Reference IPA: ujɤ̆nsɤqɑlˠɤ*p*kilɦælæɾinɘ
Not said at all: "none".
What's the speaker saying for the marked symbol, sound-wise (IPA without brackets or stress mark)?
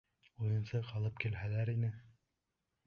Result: p